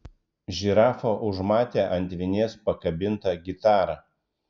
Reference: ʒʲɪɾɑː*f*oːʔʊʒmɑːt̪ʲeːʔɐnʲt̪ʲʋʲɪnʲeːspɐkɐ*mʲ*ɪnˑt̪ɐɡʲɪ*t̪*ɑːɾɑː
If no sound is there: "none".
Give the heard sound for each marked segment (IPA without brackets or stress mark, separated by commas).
f, bʲ, t̪